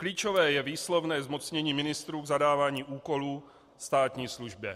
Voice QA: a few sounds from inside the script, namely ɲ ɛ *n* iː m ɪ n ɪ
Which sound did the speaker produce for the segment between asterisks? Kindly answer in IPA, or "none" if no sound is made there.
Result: ɲ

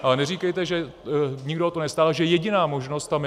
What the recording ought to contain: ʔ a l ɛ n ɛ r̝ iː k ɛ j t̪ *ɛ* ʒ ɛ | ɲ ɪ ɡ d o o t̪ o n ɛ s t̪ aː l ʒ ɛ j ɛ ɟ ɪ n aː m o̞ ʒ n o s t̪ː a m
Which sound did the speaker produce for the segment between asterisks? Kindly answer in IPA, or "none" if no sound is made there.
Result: ɛ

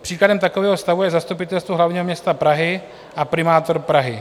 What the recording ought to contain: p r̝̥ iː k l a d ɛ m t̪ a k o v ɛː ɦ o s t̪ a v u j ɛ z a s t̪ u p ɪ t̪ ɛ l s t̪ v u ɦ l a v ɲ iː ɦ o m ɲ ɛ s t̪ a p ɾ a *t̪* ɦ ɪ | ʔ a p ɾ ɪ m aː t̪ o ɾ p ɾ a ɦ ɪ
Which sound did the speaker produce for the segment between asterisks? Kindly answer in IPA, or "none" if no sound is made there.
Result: none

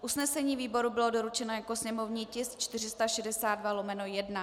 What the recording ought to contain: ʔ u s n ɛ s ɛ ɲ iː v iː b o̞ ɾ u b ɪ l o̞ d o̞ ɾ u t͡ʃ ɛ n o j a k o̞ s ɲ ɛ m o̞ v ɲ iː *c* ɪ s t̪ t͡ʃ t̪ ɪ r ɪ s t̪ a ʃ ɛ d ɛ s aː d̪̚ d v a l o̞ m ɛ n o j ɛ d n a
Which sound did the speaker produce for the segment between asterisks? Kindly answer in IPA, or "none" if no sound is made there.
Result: c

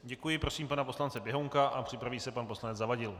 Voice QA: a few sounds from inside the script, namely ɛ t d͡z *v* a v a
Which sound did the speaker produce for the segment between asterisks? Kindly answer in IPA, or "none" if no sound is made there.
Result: z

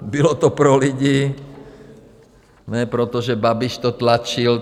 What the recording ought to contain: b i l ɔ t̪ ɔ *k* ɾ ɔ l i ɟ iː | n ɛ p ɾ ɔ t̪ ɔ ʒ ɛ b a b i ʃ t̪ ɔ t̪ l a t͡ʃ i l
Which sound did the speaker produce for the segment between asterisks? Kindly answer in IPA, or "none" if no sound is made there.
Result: p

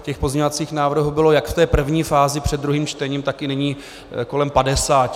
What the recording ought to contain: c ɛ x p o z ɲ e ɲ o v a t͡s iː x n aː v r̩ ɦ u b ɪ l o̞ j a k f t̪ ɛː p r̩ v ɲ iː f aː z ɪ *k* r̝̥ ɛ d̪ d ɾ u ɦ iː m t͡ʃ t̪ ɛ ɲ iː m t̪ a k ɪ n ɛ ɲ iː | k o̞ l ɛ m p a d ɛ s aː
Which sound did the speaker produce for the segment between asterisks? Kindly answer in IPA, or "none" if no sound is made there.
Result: p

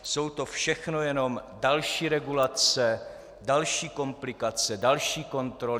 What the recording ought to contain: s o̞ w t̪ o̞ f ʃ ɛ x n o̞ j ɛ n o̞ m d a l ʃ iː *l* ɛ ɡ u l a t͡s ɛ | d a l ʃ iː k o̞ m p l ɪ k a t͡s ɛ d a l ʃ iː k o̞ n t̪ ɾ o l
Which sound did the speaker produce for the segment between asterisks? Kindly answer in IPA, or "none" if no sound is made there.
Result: ɾ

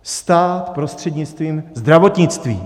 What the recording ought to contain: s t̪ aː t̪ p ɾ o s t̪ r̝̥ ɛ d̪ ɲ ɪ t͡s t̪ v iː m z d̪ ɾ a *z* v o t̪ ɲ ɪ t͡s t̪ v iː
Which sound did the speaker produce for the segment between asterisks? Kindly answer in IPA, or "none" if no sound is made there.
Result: none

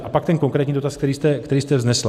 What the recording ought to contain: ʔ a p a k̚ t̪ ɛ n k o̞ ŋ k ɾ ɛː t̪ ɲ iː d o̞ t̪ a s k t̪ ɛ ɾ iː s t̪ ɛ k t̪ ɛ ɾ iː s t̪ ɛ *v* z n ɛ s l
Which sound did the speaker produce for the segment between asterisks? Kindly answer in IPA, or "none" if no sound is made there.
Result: v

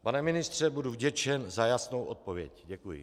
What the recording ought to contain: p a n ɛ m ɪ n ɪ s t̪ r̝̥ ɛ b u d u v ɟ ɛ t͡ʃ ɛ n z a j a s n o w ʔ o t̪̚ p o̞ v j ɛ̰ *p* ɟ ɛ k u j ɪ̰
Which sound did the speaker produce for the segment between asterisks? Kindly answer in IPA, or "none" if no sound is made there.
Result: c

